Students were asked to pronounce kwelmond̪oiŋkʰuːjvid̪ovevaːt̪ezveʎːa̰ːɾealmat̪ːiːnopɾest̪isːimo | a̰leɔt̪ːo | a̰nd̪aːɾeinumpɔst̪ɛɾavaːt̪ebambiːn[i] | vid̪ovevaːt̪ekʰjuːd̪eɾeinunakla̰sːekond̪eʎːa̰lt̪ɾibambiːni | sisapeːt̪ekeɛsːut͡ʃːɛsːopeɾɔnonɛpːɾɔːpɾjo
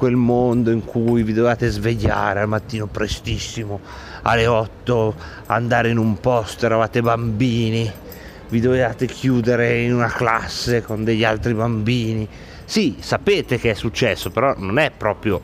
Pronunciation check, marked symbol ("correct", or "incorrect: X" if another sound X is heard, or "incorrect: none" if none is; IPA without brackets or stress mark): correct